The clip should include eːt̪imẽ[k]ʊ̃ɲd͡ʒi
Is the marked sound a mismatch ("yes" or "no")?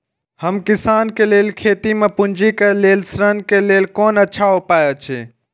yes